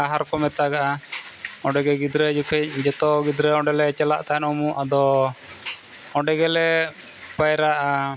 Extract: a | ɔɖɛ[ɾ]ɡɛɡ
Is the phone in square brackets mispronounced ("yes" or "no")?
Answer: yes